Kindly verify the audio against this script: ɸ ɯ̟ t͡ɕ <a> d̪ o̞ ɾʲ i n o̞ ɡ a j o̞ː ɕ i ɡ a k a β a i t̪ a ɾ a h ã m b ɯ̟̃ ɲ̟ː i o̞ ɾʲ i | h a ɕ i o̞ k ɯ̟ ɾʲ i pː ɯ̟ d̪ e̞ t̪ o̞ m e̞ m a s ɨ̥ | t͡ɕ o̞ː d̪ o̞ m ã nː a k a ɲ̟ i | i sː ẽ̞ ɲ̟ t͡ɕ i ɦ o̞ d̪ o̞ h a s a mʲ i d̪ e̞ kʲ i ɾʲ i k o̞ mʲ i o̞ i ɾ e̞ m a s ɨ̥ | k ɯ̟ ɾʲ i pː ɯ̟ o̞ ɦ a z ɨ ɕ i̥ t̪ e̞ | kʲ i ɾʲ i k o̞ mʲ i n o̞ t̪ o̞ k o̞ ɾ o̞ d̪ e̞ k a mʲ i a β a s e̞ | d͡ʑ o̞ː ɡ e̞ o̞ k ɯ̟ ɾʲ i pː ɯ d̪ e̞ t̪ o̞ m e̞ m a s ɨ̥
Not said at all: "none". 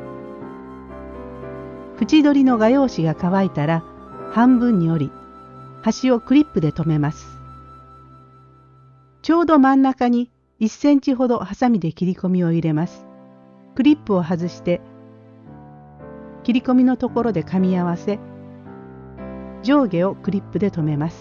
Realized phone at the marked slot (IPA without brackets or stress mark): i